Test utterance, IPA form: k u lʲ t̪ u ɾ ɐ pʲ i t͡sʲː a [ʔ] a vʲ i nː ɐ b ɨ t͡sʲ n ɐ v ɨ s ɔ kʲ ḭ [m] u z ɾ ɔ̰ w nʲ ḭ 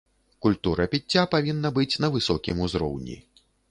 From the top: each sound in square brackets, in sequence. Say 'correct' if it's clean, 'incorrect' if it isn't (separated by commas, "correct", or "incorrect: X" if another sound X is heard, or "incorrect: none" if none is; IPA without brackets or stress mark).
incorrect: p, correct